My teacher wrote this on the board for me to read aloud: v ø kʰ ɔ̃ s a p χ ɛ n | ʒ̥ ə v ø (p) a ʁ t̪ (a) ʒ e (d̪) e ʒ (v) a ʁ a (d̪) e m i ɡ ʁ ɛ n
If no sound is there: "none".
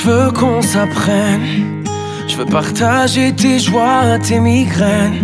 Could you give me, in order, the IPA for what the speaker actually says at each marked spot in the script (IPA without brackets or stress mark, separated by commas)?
p, a, t̪, w, t̪